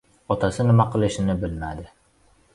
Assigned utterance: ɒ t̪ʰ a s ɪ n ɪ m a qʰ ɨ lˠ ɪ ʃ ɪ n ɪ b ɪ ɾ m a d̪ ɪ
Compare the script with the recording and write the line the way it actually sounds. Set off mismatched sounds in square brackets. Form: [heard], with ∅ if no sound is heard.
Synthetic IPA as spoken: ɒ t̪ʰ a s ɪ n ɪ m a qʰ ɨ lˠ ɪ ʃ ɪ n ɪ b ɪ [l] m a d̪ ɪ